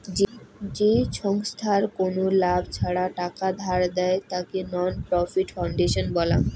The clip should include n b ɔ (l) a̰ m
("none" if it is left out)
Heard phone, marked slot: l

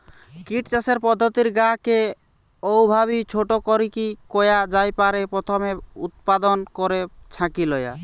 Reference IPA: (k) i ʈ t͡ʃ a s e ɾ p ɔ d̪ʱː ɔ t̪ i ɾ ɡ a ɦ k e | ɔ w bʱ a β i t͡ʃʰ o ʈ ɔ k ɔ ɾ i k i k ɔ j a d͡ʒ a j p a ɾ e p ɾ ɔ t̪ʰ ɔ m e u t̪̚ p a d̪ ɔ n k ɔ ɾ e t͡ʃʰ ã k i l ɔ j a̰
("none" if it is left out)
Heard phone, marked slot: k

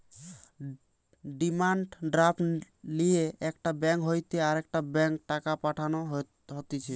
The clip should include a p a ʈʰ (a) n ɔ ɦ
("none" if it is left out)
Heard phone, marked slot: a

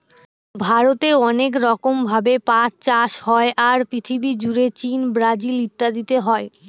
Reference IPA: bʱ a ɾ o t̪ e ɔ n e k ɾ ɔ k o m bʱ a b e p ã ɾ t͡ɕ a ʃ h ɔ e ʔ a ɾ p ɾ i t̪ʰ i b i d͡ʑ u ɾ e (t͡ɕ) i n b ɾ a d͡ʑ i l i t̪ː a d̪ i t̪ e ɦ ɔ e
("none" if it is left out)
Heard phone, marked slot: t͡ɕ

